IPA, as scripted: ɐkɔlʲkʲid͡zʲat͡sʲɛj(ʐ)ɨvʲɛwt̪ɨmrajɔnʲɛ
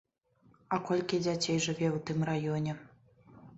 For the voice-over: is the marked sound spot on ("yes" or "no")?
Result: yes